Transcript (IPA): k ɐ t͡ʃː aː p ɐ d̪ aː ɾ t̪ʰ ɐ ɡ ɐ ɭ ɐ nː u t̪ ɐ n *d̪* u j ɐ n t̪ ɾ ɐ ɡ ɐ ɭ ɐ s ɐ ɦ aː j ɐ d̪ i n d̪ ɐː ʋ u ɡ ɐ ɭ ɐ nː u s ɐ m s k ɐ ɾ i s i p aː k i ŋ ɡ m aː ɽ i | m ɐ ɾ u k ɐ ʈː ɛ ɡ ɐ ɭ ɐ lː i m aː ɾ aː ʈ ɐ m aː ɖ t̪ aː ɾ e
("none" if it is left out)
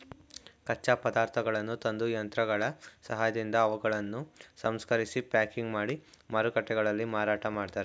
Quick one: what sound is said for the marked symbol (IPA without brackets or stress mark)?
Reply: d̪